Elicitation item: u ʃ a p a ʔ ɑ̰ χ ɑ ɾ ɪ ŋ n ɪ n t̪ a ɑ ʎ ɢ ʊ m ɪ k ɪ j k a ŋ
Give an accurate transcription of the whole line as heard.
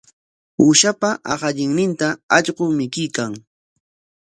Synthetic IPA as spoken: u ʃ a p a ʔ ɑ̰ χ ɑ ʎ ɪ ŋ n ɪ n t̪ a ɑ ʎ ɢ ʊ m ɪ k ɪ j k a ŋ